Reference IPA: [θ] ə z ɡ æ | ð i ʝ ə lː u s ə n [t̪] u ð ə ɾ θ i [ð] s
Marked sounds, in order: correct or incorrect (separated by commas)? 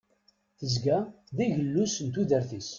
correct, correct, incorrect